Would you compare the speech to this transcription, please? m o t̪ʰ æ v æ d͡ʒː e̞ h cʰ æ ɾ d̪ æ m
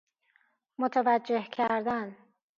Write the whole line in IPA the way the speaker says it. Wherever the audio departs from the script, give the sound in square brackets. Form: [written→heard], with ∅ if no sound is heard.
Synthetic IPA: m o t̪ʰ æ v æ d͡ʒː e̞ h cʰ æ ɾ d̪ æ [m→n]